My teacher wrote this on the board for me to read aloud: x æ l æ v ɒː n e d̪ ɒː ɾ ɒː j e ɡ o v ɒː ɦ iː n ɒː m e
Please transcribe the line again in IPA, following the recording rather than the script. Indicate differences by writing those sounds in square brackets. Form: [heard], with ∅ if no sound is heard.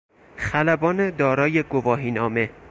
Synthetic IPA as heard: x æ l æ [b] ɒː n e d̪ ɒː ɾ ɒː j e ɡ o v ɒː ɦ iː n ɒː m e